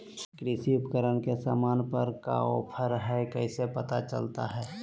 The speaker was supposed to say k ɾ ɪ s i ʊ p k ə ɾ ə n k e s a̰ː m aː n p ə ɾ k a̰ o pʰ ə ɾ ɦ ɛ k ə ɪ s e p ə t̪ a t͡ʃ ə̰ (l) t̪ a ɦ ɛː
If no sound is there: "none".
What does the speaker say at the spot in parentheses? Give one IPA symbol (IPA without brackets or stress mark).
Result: l